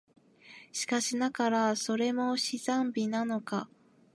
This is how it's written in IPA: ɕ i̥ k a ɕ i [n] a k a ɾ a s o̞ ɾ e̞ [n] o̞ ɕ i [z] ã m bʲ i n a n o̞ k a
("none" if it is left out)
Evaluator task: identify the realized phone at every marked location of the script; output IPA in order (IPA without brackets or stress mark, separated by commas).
n, m, z